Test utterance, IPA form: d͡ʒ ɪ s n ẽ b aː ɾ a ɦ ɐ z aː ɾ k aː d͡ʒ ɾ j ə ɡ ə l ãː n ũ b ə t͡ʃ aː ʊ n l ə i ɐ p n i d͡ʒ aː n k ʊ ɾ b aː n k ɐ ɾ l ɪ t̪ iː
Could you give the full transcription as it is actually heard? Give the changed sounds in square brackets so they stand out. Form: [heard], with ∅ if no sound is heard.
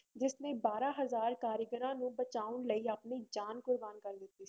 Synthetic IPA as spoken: d͡ʒ ɪ s n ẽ b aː ɾ a ɦ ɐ z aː ɾ k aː [∅] ɾ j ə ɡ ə [ɾ] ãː n ũ b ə t͡ʃ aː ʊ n l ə i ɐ p n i d͡ʒ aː n k ʊ ɾ b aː n k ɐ ɾ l ɪ t̪ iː

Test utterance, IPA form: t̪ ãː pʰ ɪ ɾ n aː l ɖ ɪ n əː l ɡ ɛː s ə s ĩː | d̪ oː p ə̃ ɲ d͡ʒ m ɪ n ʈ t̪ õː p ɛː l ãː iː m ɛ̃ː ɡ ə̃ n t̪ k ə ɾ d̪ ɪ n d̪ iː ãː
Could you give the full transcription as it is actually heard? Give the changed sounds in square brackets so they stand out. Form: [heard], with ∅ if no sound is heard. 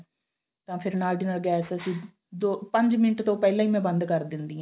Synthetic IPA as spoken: t̪ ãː pʰ ɪ ɾ n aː l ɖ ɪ n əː l ɡ ɛː s ə s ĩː | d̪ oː p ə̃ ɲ d͡ʒ m ɪ n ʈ t̪ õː p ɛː l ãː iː m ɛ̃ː [b] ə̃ n [d̪] k ə ɾ d̪ ɪ n d̪ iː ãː

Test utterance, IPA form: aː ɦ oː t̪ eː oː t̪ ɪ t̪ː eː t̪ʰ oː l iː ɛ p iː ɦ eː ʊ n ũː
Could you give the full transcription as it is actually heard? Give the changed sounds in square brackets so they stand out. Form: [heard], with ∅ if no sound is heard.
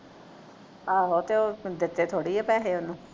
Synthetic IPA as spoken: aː ɦ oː t̪ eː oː [d̪] ɪ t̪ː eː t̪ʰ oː [ɽ] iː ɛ p [ɛː] ɦ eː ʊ n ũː

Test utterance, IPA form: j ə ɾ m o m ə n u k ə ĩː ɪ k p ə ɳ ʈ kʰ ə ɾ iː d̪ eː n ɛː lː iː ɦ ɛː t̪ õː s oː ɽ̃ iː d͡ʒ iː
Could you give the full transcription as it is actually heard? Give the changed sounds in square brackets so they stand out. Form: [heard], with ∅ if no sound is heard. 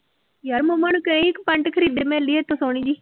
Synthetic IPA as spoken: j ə ɾ m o m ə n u k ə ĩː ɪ k p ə ɳ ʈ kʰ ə ɾ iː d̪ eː [m] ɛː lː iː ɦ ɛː t̪ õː s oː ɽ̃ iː d͡ʒ iː

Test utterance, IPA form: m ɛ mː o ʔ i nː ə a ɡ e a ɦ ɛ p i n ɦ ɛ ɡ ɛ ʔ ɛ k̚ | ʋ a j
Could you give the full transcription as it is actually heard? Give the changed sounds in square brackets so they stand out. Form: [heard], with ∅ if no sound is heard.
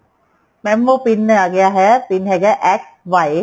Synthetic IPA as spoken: m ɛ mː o [p] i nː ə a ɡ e a ɦ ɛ p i n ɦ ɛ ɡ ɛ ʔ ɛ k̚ | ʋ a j

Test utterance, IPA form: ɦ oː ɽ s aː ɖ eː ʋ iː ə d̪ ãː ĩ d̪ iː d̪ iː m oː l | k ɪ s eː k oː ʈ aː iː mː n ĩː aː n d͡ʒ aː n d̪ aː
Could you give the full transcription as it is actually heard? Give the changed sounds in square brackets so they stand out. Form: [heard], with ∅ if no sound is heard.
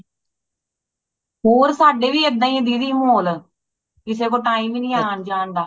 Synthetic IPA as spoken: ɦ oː [ɾ] s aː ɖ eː ʋ iː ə d̪ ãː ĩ d̪ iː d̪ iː m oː l | k ɪ s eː k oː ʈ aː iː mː n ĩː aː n d͡ʒ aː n d̪ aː

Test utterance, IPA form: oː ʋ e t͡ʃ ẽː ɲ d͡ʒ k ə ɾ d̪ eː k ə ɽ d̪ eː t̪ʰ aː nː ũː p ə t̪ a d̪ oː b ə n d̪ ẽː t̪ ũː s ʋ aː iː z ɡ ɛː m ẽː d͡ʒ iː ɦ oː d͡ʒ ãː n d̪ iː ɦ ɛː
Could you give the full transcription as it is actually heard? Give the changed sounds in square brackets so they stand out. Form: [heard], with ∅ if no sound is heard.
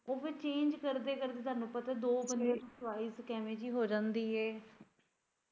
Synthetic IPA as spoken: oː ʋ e t͡ʃ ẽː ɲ d͡ʒ k ə ɾ d̪ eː k ə [ɾ] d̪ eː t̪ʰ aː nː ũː p ə t̪ a d̪ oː b ə n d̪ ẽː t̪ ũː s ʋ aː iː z [k] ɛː m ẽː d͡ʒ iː ɦ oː d͡ʒ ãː n d̪ iː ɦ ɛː

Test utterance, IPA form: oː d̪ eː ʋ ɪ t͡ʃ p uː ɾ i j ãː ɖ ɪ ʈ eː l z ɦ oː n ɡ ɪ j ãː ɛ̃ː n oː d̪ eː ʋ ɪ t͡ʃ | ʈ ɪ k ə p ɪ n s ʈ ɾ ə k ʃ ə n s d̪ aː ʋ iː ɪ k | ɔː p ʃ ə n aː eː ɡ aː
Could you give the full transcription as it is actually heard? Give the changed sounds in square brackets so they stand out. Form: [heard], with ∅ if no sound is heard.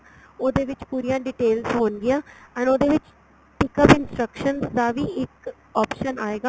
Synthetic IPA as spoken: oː d̪ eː ʋ ɪ t͡ʃ p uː ɾ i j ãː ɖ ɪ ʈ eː l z ɦ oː n ɡ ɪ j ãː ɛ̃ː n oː d̪ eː ʋ ɪ t͡ʃ | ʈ ɪ k ə p ɪ n s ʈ ɾ ə k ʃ ə n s d̪ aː ʋ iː ɪ k | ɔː p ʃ ə n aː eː ɡ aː

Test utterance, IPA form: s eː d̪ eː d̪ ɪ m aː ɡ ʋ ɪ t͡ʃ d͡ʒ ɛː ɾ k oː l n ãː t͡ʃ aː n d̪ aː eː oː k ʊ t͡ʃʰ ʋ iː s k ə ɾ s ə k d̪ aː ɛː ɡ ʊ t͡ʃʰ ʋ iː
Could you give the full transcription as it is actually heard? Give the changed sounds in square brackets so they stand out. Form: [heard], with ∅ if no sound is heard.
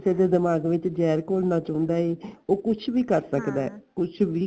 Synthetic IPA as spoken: s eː d̪ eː d̪ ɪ m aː ɡ ʋ ɪ t͡ʃ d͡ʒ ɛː ɾ k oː l n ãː t͡ʃ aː n d̪ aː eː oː k ʊ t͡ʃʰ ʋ iː [∅] k ə ɾ s ə k d̪ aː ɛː [k] ʊ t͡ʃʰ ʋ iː

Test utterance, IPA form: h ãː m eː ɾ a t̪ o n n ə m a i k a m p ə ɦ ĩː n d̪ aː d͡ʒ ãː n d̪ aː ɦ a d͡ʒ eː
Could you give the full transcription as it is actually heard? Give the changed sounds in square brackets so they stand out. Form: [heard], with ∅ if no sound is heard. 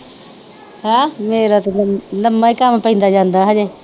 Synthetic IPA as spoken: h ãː m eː ɾ a t̪ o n n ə m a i k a m p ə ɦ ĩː n d̪ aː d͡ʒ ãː n d̪ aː ɦ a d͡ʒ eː

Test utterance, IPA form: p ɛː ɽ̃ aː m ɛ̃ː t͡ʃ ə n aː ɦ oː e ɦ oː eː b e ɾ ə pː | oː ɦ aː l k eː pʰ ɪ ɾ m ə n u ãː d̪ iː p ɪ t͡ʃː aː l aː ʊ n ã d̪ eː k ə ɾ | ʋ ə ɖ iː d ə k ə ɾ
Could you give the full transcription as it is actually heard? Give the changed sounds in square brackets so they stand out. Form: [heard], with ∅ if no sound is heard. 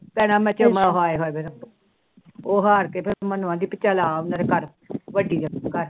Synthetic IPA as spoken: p ɛː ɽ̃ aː m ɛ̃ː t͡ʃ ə [m] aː ɦ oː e ɦ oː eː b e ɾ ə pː | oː ɦ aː [ɾ] k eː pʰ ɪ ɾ m ə n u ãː d̪ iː p ɪ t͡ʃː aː l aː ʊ n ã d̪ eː k ə ɾ | ʋ ə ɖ iː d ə k ə ɾ

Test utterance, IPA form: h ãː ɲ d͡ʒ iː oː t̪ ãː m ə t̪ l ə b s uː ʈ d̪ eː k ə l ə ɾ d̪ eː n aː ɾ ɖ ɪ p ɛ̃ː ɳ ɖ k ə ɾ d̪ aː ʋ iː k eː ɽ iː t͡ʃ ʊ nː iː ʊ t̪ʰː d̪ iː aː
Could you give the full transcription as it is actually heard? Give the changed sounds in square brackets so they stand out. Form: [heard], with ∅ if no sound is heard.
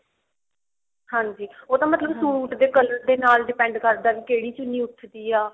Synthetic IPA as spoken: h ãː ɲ d͡ʒ iː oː t̪ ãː m ə t̪ l ə b s uː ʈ d̪ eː k ə l ə ɾ d̪ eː n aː [l] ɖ ɪ p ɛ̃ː ɳ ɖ k ə ɾ d̪ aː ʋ iː k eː ɽ iː t͡ʃ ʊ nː iː ʊ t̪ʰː d̪ iː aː

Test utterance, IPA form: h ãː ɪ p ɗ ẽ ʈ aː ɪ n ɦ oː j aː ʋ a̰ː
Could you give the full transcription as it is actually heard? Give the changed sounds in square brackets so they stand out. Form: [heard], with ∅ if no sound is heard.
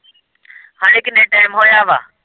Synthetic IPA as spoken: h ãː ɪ [k] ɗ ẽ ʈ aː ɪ [m] ɦ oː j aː ʋ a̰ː

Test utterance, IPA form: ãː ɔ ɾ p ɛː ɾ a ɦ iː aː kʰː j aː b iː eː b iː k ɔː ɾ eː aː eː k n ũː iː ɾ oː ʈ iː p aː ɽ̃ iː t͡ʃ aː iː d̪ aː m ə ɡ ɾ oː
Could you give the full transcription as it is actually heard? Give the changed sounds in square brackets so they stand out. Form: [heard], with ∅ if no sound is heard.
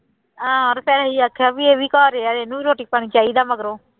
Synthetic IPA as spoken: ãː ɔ ɾ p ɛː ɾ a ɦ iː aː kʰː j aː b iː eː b iː k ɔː ɾ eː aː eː [∅] n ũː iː ɾ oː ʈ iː p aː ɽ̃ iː t͡ʃ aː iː d̪ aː m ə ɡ ɾ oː

